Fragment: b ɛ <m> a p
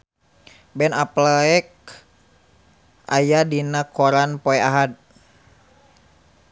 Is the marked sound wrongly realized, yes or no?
yes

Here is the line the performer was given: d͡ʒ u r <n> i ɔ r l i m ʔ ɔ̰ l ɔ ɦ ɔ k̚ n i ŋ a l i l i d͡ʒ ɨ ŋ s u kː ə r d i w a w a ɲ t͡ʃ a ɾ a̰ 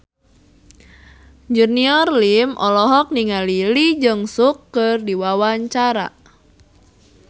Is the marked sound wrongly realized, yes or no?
no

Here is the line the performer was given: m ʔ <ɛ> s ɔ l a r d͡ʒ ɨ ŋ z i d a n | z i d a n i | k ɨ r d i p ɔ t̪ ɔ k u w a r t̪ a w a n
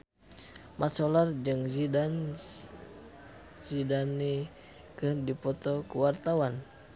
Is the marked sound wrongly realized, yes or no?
yes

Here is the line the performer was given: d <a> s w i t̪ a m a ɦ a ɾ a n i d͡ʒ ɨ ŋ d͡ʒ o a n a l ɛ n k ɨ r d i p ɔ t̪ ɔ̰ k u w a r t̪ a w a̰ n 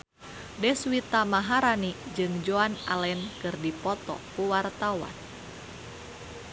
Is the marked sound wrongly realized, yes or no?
yes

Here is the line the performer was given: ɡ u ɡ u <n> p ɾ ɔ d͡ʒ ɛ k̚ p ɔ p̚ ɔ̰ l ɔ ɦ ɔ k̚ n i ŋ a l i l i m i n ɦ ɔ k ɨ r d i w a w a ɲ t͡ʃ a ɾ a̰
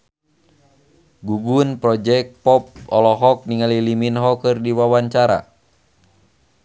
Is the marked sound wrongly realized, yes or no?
no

